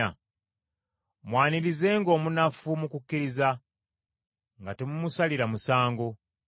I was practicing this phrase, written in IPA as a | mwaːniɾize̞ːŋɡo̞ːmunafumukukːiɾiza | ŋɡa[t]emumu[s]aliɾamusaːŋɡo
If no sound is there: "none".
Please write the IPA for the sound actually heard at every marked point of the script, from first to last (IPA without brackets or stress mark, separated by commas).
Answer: t, s